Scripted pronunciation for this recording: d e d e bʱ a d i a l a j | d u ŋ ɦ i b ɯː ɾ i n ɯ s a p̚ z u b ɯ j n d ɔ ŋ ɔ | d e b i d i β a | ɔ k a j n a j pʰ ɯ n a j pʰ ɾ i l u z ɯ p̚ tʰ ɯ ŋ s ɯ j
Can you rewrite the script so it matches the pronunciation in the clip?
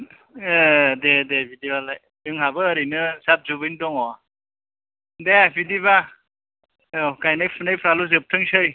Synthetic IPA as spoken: d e d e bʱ i d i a l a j | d ɯ ŋ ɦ a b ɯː ɾ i n ɯ s a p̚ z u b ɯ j n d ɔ ŋ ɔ | d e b i d i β a | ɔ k a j n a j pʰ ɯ n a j pʰ ɾ a l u z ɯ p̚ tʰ ɯ ŋ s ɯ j